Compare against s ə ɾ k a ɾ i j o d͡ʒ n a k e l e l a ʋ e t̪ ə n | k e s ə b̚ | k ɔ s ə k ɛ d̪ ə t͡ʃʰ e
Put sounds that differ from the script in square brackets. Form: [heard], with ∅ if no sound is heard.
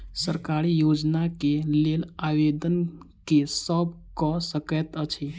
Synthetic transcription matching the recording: s ə ɾ k a ɾ i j o d͡ʒ n a k e l e l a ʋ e [d̪] ə n | k e s ə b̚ | k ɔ s ə k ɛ [t̪] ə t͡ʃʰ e